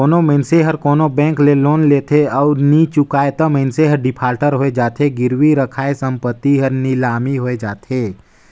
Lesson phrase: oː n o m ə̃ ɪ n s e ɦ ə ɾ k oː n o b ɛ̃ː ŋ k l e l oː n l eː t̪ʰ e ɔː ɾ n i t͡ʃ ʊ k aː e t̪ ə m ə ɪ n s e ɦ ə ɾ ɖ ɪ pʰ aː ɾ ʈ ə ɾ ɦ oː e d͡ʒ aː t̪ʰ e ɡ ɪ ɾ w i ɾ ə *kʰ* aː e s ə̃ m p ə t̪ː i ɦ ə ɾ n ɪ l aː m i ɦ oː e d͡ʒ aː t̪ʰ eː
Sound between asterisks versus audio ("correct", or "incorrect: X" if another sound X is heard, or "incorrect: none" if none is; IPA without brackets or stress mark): correct